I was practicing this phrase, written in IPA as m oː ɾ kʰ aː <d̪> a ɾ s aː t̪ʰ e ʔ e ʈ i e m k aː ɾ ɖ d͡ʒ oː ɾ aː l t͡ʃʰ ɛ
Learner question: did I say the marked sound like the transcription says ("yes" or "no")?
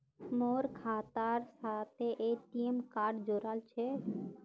no